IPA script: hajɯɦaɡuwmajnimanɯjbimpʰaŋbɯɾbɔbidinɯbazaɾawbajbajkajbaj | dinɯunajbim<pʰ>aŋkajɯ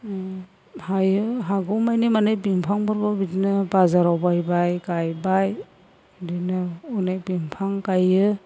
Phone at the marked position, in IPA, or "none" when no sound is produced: pʰ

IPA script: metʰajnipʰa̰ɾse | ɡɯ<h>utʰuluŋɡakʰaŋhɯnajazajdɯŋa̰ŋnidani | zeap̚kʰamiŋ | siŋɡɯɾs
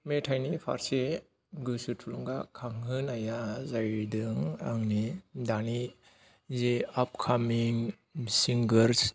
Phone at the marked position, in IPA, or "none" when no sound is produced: s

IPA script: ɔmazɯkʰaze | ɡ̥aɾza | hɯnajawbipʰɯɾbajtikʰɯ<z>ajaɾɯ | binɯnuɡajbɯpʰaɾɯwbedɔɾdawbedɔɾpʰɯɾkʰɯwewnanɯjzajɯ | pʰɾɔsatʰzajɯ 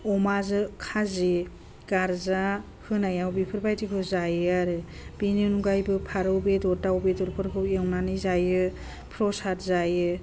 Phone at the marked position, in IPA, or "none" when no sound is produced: z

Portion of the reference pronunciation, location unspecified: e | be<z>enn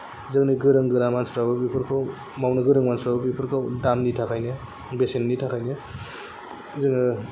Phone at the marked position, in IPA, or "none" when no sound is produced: s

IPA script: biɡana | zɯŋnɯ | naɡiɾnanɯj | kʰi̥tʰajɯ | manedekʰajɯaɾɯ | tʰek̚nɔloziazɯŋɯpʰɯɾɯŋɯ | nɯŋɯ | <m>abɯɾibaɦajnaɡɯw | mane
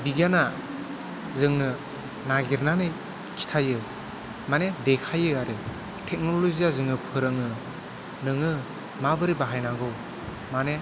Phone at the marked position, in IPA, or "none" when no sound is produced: m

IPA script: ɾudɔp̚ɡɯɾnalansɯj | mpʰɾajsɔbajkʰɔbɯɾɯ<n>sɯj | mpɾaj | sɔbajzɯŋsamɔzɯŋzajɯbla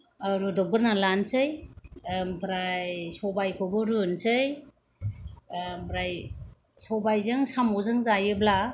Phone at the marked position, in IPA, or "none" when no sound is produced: n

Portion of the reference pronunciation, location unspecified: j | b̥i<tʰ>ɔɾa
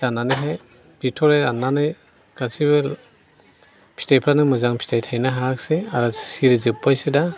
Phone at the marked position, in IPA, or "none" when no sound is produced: tʰ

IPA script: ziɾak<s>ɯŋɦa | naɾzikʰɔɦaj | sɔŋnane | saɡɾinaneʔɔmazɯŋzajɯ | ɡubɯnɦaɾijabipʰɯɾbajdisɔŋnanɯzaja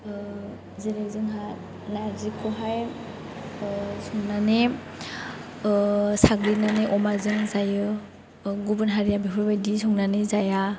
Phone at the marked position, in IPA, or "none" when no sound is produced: z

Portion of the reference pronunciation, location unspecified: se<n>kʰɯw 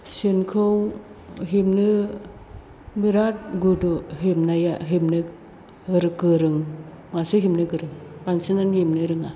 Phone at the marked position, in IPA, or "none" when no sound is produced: n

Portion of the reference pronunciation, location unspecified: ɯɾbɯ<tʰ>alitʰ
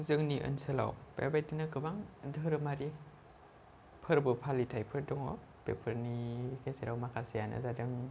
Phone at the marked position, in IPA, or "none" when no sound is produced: pʰ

